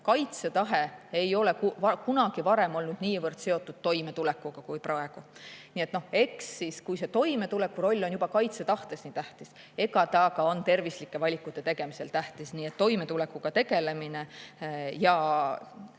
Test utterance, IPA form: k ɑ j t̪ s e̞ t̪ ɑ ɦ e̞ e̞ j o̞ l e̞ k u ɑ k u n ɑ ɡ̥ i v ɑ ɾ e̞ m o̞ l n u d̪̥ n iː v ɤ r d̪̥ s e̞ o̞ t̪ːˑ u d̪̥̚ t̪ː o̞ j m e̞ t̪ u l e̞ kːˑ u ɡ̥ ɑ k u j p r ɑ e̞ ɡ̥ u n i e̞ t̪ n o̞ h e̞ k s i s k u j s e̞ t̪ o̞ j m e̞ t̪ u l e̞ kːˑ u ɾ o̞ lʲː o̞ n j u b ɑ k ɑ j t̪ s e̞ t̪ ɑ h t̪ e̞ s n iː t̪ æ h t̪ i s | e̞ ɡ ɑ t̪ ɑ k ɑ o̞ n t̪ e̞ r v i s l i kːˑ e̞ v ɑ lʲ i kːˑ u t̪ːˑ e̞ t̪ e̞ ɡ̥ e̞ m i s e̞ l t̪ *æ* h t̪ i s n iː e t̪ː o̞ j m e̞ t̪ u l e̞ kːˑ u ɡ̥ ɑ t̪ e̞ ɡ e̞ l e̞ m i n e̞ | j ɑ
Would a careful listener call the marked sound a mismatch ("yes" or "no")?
no